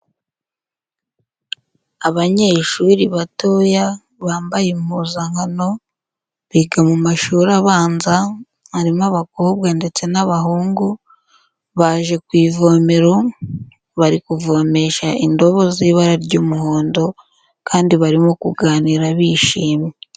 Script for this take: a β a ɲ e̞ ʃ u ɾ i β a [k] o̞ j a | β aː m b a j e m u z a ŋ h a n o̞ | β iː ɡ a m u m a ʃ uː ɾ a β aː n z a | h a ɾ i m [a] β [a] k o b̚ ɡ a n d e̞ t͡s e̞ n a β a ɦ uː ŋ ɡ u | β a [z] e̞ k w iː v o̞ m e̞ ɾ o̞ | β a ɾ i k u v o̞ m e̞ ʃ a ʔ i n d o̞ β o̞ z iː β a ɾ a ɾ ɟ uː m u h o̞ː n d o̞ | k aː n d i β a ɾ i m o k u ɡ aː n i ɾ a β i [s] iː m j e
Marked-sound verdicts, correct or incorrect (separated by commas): incorrect, correct, correct, incorrect, incorrect